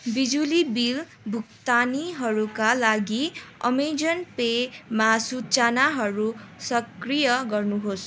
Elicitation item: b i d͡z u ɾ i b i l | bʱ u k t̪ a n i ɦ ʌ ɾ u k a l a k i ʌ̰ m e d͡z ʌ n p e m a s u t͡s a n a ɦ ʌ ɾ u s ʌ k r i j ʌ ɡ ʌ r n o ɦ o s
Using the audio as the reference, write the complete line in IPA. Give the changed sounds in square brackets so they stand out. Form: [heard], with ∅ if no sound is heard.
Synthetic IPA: b i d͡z u [l] i b i l | bʱ u k t̪ a n i ɦ ʌ ɾ u k a l a [ɡ] i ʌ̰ m e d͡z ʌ n p e m a s u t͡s a n a ɦ ʌ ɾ u s ʌ k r i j ʌ ɡ ʌ r n [u] ɦ o s